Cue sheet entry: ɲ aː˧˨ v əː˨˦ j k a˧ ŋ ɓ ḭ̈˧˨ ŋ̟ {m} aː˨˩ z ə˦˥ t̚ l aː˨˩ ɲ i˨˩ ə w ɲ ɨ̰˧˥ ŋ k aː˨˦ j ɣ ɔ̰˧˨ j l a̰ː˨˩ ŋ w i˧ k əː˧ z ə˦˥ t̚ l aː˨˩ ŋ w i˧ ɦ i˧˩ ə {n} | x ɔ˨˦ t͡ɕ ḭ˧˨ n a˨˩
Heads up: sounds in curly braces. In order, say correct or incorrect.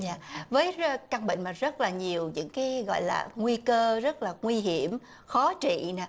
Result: correct, incorrect: m

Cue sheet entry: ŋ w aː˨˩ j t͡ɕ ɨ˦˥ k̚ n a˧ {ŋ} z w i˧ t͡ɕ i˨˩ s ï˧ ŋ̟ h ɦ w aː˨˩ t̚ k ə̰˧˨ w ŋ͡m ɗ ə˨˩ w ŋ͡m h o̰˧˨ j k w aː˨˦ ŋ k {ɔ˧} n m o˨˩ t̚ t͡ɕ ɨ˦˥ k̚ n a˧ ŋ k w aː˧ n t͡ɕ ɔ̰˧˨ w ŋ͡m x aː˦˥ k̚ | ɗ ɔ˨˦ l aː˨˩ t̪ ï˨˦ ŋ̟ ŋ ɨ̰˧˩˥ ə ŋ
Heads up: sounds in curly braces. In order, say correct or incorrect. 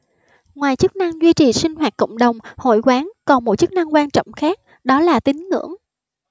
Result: correct, incorrect: ɔ˨˩

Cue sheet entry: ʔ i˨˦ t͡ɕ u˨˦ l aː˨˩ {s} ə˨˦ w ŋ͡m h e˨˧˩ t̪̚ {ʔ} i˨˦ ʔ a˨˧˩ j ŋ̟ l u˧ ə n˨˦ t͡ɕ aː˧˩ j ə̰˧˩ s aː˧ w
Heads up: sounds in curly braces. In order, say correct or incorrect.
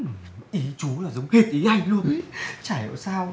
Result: incorrect: z, correct

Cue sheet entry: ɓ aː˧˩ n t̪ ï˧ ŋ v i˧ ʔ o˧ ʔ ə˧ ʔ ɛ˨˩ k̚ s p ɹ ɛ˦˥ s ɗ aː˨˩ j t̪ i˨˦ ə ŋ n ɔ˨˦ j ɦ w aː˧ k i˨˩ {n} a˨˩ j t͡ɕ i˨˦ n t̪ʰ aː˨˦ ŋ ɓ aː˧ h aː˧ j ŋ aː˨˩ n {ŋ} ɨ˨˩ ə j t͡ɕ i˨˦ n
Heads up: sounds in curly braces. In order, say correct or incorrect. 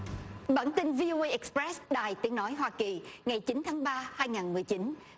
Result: incorrect: ŋ, incorrect: m

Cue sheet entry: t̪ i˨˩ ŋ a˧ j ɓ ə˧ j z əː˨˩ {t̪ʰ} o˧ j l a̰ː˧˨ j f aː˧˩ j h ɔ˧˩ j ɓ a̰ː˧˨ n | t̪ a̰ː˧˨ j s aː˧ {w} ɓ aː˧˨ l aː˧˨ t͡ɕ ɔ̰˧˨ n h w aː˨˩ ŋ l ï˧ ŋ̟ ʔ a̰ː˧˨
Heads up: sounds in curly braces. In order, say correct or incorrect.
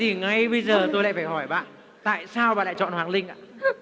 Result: incorrect: t̪, correct

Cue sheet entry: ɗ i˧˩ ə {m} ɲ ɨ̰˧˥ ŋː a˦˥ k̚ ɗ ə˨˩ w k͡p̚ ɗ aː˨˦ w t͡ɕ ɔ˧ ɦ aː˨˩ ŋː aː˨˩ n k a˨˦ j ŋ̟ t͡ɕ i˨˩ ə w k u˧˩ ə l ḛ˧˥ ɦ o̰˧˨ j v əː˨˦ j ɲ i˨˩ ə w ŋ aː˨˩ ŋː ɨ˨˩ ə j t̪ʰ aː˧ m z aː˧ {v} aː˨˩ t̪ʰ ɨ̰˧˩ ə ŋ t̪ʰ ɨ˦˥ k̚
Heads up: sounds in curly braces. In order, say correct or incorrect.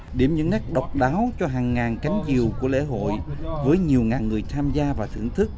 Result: correct, correct

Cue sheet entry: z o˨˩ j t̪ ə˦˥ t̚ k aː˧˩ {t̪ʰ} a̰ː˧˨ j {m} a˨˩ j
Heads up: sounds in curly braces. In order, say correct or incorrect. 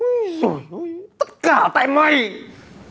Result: incorrect: t̪, correct

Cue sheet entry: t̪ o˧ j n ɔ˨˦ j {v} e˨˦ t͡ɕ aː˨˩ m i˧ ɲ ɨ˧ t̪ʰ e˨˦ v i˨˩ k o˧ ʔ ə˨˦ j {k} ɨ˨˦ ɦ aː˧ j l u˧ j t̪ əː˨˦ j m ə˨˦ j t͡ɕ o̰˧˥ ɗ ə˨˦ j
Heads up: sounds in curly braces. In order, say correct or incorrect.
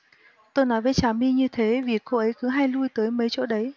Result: correct, correct

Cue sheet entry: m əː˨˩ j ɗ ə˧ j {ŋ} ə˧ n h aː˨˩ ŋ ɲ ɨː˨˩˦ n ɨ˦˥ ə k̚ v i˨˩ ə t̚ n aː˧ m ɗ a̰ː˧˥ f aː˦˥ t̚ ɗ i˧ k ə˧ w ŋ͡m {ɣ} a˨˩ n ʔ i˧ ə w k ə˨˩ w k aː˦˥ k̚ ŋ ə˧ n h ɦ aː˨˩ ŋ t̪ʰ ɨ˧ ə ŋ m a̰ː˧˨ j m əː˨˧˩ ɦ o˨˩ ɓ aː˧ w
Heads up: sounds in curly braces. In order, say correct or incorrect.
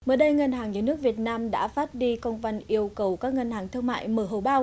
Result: correct, incorrect: v

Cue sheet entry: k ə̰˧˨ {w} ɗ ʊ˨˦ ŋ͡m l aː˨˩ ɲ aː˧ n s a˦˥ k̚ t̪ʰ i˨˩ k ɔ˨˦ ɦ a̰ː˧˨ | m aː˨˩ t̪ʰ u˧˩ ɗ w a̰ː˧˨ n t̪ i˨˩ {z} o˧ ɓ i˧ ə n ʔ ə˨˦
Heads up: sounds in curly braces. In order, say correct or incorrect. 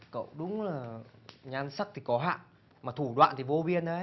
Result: correct, incorrect: v

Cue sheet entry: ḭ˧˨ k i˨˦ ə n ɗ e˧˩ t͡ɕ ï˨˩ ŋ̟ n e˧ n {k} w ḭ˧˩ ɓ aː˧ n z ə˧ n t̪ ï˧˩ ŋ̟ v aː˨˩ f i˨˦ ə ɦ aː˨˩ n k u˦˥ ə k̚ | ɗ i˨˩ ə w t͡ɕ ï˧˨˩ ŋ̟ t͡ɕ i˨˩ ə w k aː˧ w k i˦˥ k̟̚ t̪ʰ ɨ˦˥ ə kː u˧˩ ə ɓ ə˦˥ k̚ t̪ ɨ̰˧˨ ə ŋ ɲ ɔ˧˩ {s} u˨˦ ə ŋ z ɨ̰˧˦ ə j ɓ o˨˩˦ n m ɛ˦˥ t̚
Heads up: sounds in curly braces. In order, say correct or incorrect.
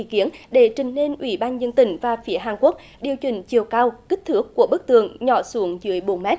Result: incorrect: ʔ, correct

